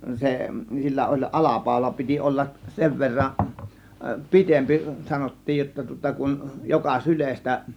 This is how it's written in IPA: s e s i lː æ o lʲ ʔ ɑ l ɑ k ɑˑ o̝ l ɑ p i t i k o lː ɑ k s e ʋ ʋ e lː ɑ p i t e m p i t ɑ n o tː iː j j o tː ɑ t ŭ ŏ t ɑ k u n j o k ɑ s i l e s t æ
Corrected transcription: s e s i lː æ o lʲ ʔ ɑ l ɑ p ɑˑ o̝ l ɑ p i t i ʔ o lː ɑ k s e ʋ ʋ e rː ɑ p i t e m p i s ɑ n o tː iː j j o tː ɑ t ŭ ŏ t ɑ k u n j o k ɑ s y l e s t æ